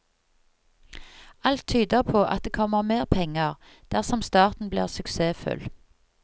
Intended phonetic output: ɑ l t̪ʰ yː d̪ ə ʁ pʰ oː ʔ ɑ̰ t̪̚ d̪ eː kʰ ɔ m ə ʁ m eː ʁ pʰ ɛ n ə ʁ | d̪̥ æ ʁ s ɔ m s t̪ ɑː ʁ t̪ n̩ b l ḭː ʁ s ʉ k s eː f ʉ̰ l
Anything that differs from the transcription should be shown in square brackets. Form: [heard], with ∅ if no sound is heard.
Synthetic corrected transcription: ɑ l t̪ʰ yː d̪ ə ʁ pʰ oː ʔ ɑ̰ t̪̚ d̪ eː kʰ ɔ m ə ʁ m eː ʁ pʰ ɛ [ŋ] ə ʁ | d̪̥ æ ʁ s ɔ m s t̪ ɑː ʁ t̪ n̩ b l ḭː ʁ s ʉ k s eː f ʉ̰ l